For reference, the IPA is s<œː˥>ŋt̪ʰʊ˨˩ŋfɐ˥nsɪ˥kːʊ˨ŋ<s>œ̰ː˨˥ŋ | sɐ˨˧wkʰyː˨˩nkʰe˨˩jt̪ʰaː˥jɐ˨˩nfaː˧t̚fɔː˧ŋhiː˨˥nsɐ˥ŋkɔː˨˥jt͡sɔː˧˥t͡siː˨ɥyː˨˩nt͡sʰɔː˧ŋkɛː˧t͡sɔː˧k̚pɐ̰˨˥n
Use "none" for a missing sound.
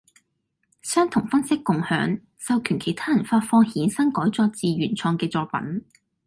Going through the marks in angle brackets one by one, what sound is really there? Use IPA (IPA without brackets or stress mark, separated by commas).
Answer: œː˥, h